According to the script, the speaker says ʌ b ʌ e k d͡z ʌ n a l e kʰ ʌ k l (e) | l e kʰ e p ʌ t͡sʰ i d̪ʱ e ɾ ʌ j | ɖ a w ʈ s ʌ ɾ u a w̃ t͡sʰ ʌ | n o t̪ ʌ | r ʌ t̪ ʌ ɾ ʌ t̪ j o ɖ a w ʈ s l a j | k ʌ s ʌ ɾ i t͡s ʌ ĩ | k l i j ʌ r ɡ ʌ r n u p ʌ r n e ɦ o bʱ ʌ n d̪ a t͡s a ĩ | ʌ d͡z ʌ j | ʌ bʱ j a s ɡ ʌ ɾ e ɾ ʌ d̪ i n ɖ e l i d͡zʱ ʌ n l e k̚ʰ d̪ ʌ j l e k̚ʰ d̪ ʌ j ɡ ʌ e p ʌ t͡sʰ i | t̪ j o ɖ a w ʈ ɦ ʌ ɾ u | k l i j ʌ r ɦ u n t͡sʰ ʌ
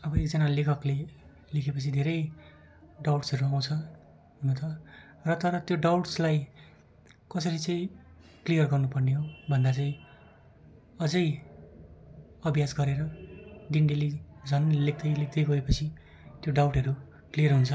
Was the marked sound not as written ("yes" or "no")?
no